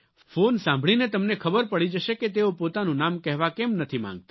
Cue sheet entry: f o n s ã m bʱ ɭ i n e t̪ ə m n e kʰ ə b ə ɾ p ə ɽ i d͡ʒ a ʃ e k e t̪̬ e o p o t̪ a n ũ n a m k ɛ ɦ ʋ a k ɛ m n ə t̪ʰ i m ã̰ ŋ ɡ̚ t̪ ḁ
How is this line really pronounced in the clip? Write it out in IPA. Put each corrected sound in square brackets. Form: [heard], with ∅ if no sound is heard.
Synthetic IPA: f o n s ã m bʱ ɭ i n e t̪ ə m n e kʰ ə b ə ɾ p ə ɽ i d͡ʒ [ə] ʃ e k e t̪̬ e o p o t̪ a n ũ n a m k ɛ ɦ ʋ a k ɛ m n ə t̪ʰ i m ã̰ ŋ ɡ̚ t̪ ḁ